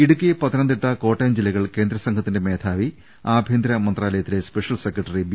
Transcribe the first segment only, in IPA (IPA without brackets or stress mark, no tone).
i